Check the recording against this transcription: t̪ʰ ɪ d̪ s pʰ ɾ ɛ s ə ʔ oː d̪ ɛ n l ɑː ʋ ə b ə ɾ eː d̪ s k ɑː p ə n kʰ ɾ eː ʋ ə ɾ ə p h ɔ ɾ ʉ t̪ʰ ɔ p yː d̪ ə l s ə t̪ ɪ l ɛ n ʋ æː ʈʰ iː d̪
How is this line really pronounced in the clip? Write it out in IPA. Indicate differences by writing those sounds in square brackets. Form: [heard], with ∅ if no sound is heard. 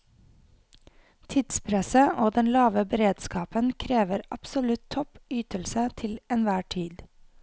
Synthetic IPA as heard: t̪ʰ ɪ d̪ s pʰ ɾ ɛ s ə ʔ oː d̪ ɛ n l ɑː ʋ ə b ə ɾ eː d̪ s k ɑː p ə n kʰ ɾ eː ʋ ə ɾ [ɑ] p [s] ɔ [l] ʉ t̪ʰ ɔ p yː [t̪] ə l s ə [t̪ʰ] ɪ l ɛ n ʋ æː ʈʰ iː d̪

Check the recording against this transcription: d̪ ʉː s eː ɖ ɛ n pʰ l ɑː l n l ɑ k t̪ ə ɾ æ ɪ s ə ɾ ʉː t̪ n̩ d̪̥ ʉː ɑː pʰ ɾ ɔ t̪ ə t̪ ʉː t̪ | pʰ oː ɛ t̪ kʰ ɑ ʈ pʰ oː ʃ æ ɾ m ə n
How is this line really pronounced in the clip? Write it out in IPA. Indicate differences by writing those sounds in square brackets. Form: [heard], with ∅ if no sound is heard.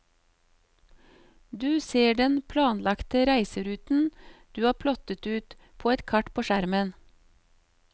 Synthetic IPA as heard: d̪ ʉː s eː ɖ ɛ n pʰ l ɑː [∅] n l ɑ k t̪ ə ɾ æ ɪ s ə ɾ ʉː t̪ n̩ d̪̥ ʉː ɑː pʰ [l] ɔ t̪ ə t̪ ʉː t̪ | pʰ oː ɛ t̪ kʰ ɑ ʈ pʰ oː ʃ æ ɾ m ə n

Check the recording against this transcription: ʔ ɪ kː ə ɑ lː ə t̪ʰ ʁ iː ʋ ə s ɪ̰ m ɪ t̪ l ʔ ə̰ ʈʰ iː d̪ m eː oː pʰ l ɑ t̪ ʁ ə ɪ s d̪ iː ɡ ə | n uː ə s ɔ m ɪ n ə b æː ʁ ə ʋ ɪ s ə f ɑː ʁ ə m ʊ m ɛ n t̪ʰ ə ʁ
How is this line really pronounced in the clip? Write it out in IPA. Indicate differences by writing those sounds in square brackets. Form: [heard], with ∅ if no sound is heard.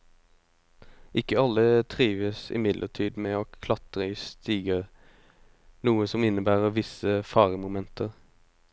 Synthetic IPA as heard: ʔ ɪ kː ə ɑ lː ə t̪ʰ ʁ iː ʋ ə s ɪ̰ m ɪ [d̪] l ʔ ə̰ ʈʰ iː d̪ m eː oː [kʰ] l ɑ t̪ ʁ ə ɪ s [t̪] iː ɡ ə | n uː ə s ɔ m ɪ n ə b æː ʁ ə ʋ ɪ s ə f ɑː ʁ ə m ʊ m ɛ n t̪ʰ ə ʁ

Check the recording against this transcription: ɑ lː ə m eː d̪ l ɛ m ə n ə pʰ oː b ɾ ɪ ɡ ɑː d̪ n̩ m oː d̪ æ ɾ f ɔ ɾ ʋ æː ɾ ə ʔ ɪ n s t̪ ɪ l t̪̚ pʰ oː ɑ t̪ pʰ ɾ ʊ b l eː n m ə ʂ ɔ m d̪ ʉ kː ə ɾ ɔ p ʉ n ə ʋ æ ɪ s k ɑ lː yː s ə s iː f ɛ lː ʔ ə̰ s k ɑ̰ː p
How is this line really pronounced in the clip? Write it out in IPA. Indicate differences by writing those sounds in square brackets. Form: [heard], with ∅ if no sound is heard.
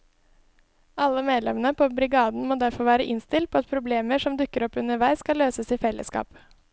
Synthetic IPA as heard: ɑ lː ə m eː d̪ l ɛ m ə n ə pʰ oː b ɾ ɪ ɡ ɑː d̪ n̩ m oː d̪ æ ɾ f ɔ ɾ ʋ æː ɾ ə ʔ ɪ n s t̪ ɪ l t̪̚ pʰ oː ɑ t̪ pʰ ɾ ʊ b l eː [∅] m ə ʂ ɔ m d̪ ʉ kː ə ɾ ɔ p ʉ n ə ʋ æ ɪ s k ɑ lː [øː] s ə s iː f ɛ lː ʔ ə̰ s k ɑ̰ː p

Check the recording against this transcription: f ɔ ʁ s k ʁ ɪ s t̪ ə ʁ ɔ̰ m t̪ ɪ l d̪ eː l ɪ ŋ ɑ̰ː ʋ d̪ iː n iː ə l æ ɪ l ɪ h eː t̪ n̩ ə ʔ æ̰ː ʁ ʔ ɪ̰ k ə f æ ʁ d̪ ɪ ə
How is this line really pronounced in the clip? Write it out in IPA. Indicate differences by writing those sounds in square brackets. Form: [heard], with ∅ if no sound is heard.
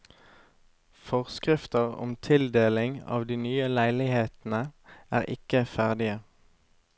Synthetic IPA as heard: f ɔ ʁ s k ʁ ɪ [f] t̪ ə ʁ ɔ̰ m [t̪ʰ] ɪ l d̪ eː l ɪ ŋ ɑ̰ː ʋ d̪ iː n [yː] ə l æ ɪ l ɪ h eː t̪ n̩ ə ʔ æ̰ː ʁ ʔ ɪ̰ k ə f æ ʁ d̪ ɪ ə

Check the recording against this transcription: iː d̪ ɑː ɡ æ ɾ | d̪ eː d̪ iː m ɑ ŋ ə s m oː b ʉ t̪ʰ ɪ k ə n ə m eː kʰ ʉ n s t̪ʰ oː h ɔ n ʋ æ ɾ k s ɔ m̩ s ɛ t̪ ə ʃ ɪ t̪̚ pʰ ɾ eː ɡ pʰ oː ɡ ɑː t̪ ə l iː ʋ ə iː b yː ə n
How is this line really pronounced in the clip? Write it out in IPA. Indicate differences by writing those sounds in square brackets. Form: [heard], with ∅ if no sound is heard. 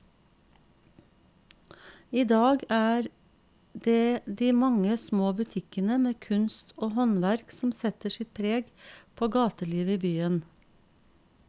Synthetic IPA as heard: iː d̪ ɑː ɡ [æː] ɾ | d̪ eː d̪ iː m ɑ ŋ ə s m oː b ʉ t̪ʰ ɪ k ə n ə m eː kʰ ʉ n s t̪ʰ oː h ɔ n ʋ æ ɾ k s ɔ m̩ s ɛ t̪ ə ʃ ɪ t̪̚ pʰ ɾ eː ɡ pʰ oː ɡ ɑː t̪ ə l iː ʋ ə iː b yː ə n

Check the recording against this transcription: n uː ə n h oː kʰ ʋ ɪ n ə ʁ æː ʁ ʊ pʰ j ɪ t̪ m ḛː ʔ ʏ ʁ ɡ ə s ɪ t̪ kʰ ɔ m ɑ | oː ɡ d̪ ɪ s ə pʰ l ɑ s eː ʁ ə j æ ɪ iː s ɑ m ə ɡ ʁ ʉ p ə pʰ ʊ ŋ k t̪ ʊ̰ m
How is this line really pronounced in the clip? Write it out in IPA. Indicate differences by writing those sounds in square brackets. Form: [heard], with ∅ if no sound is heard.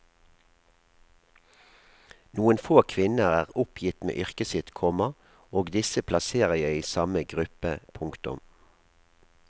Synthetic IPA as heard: n uː ə n [f] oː kʰ ʋ ɪ n ə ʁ æː ʁ ʊ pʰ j ɪ t̪ m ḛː ʔ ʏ ʁ [k] ə s ɪ t̪ kʰ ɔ m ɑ | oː ɡ d̪ ɪ s ə pʰ l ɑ s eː ʁ ə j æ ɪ iː s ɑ m ə ɡ ʁ ʉ p ə pʰ ʊ ŋ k t̪ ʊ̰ m

